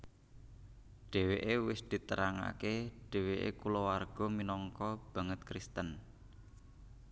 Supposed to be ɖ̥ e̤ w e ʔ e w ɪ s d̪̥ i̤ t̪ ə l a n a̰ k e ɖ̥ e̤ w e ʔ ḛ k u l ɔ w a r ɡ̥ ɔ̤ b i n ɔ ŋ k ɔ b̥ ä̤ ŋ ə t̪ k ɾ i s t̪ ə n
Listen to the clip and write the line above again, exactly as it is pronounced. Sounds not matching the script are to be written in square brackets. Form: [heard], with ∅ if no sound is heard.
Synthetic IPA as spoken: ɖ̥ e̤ w e ʔ e w ɪ s d̪̥ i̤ t̪ ə [ɾ] a [ŋ] a̰ k e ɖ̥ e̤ w e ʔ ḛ k u l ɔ w a r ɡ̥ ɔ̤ [m] i n ɔ ŋ k ɔ b̥ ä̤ ŋ ə t̪ k ɾ i s t̪ ə n